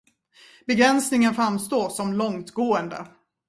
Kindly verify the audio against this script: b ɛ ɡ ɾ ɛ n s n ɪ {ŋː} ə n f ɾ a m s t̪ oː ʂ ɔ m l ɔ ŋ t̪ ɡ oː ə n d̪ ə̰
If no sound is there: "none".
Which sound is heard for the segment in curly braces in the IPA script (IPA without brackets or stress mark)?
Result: ŋ